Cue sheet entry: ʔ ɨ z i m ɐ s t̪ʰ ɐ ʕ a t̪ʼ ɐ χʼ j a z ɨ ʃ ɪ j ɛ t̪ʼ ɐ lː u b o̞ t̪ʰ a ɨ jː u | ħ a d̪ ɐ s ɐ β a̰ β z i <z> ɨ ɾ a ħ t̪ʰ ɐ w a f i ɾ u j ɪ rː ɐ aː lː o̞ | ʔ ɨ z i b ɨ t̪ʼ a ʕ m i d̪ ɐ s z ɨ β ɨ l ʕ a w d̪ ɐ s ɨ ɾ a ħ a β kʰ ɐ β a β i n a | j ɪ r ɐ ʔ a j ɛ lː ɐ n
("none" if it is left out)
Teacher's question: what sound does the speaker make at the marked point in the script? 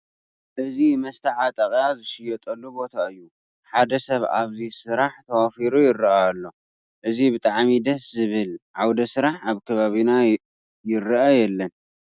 s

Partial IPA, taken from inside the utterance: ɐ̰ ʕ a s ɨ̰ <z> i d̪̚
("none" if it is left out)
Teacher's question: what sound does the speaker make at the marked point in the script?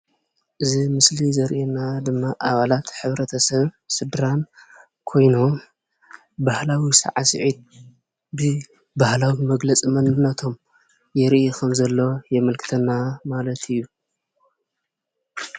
ʕ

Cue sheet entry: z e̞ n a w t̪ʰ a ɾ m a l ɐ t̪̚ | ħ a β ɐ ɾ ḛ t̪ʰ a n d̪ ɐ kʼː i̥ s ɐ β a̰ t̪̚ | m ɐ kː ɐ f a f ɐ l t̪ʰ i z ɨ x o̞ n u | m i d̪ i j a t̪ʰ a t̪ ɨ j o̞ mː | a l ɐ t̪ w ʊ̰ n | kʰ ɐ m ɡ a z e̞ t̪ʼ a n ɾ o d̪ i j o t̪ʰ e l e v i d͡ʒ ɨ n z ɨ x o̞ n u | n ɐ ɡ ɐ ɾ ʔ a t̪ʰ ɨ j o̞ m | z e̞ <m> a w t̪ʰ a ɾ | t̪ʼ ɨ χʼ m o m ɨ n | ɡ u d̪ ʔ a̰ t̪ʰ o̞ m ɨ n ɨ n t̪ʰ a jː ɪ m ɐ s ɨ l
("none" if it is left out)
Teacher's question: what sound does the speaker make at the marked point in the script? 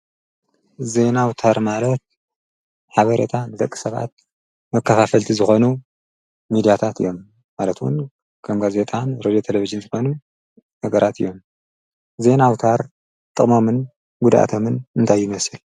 n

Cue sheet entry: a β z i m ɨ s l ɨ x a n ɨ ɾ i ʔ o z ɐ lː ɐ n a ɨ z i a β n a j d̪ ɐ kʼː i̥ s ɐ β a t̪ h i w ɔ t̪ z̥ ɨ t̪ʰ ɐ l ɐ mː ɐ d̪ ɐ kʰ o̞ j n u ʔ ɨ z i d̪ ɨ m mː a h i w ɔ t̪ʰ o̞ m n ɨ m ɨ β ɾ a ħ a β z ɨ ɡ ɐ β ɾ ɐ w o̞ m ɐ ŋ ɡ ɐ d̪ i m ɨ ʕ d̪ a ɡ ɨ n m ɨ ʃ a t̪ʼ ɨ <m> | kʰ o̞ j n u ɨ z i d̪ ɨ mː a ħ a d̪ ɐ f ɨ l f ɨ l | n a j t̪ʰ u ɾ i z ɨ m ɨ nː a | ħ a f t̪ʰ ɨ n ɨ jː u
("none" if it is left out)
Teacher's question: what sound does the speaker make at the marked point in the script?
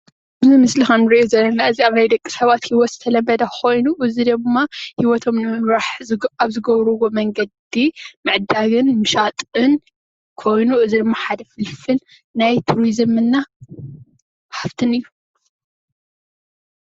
n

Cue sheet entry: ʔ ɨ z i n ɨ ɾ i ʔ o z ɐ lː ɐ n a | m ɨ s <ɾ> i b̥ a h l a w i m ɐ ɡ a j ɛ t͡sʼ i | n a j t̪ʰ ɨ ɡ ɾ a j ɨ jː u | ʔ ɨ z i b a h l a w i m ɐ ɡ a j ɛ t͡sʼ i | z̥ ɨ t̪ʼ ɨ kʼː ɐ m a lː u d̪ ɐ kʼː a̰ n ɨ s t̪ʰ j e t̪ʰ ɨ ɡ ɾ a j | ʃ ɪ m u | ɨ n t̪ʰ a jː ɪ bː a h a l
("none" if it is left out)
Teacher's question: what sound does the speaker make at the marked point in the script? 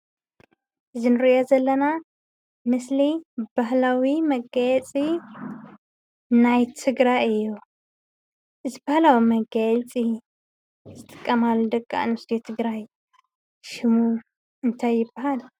l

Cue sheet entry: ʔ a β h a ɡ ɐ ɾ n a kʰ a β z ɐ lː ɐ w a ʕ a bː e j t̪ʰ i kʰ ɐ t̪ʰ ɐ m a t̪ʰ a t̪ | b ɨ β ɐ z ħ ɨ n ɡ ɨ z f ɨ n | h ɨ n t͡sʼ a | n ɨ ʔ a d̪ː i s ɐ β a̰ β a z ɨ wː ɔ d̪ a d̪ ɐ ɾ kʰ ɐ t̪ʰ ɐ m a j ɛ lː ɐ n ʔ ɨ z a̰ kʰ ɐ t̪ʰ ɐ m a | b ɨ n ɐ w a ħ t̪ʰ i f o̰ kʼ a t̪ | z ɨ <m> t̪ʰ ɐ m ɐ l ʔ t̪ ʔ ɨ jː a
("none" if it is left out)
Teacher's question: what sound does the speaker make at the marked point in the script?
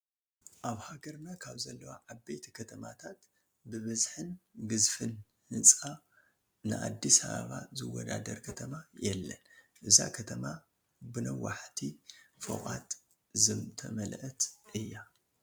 m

